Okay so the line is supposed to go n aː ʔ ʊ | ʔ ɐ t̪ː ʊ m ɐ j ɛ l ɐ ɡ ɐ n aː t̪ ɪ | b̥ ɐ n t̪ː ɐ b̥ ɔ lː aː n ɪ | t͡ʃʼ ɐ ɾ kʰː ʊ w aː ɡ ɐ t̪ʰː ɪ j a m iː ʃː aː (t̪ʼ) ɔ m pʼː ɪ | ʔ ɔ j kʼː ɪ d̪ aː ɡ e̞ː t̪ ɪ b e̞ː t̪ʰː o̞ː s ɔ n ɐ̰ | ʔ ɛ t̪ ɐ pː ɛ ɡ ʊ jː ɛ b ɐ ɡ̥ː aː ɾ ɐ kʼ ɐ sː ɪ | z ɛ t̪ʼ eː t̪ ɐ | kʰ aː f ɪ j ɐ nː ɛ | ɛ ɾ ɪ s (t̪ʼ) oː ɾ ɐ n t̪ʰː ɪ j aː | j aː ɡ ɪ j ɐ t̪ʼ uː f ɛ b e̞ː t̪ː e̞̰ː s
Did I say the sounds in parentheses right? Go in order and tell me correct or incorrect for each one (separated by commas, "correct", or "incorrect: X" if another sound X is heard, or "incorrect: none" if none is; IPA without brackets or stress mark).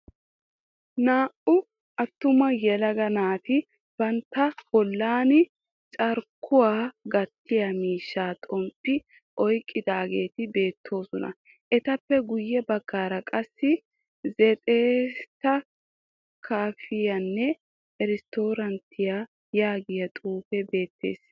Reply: correct, incorrect: t̪